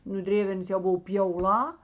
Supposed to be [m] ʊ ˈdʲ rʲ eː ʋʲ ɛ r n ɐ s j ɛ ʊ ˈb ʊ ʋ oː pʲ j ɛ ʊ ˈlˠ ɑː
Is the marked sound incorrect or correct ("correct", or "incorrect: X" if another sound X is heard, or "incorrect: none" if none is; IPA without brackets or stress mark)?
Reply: incorrect: n